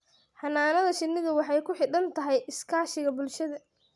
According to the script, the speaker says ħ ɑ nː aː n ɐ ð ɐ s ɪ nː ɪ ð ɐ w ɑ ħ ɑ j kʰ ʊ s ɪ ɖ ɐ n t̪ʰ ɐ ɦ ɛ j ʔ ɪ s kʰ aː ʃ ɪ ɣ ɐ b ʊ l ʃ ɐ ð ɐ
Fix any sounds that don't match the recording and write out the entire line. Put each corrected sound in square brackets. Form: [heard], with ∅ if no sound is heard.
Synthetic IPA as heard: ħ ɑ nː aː n ɐ ð ɐ [ʃ] ɪ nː ɪ ð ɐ w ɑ ħ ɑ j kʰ ʊ [ħ] ɪ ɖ ɐ n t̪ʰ ɐ ɦ ɛ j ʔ ɪ s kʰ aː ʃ ɪ ɣ ɐ b ʊ l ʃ ɐ ð ɐ